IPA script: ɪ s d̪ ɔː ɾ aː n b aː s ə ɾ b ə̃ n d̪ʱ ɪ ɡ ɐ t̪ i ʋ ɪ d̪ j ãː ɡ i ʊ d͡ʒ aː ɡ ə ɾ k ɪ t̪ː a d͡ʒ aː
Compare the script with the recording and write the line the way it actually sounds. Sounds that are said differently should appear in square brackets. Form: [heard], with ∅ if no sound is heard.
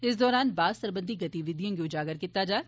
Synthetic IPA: ɪ s d̪ ɔː ɾ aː n b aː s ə ɾ b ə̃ n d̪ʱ [i] ɡ ɐ t̪ i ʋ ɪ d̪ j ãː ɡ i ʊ d͡ʒ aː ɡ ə ɾ k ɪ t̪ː a d͡ʒ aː